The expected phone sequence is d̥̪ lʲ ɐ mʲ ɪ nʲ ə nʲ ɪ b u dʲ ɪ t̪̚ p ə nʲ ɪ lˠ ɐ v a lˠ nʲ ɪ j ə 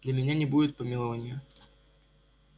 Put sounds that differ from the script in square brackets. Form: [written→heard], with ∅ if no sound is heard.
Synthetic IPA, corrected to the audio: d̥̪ lʲ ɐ mʲ ɪ nʲ [ə→a] nʲ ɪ b u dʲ ɪ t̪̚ p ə [nʲ→mʲ] ɪ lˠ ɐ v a [lˠ→∅] nʲ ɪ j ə

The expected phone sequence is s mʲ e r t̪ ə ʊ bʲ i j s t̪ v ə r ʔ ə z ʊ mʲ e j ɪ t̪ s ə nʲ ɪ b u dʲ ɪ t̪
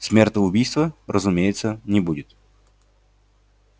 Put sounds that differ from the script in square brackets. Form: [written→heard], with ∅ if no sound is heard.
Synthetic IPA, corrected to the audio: s mʲ e r t̪ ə ʊ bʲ i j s t̪ v ə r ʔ ə z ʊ mʲ e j ɪ t̪ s ə nʲ ɪ b u dʲ ɪ t̪

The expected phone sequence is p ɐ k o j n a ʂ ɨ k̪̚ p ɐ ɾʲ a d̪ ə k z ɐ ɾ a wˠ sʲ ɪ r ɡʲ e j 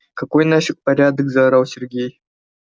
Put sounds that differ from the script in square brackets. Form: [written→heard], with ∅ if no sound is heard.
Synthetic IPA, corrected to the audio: [p→k] ɐ k o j n a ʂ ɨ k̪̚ p ɐ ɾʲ a d̪ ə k z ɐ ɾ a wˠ sʲ ɪ r ɡʲ e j

